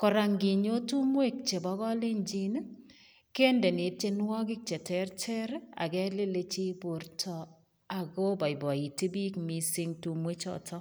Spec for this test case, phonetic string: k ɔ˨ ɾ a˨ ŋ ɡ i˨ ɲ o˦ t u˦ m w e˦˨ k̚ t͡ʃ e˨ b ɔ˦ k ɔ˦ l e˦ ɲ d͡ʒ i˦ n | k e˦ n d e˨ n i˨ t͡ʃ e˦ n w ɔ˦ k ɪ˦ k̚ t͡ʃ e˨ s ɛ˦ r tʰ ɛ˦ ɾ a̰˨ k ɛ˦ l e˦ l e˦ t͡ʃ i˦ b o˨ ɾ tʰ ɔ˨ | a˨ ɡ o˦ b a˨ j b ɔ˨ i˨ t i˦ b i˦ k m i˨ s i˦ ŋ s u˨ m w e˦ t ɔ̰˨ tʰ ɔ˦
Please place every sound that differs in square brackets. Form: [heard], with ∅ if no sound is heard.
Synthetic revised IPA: k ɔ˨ ɾ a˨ ŋ ɡ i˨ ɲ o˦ t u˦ m w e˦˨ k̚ t͡ʃ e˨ b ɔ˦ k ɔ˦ l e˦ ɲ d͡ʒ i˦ n | k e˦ n d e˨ n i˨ t͡ʃ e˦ n w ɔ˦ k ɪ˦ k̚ t͡ʃ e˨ [t] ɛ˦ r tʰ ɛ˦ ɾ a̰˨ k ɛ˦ l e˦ l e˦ t͡ʃ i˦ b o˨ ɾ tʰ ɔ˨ | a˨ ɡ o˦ b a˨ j b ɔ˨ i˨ t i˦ b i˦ k m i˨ s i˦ ŋ [t] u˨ m w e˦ [t͡ʃ] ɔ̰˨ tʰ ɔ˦